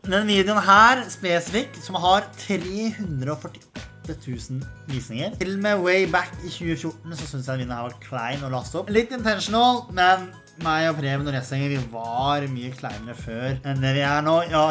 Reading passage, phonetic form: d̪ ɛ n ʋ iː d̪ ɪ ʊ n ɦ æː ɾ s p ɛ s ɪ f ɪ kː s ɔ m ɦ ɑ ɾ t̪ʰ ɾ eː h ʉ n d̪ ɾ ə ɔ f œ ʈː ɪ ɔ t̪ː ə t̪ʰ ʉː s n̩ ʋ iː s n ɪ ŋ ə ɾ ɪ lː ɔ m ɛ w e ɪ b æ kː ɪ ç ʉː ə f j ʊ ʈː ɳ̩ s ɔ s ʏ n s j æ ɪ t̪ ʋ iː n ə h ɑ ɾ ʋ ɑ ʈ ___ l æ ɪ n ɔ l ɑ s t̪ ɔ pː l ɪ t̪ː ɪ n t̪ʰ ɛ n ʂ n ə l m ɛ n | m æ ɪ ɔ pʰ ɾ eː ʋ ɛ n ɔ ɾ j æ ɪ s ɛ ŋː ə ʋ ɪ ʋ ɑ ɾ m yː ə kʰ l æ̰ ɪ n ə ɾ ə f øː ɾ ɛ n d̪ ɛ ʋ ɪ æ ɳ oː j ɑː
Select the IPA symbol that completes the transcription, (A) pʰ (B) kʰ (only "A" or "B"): B